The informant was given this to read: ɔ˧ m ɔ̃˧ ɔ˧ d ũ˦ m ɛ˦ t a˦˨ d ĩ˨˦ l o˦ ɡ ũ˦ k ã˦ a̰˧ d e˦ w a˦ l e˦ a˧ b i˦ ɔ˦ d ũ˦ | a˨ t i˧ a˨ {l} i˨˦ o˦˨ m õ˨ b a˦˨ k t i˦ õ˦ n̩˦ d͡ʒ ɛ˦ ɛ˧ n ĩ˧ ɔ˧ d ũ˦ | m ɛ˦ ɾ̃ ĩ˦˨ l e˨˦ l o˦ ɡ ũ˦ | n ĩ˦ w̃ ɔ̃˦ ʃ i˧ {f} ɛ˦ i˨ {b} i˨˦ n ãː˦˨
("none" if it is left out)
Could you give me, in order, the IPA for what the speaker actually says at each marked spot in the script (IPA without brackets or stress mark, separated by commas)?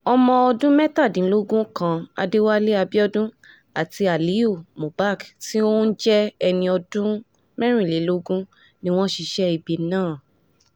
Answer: l, ʃ, b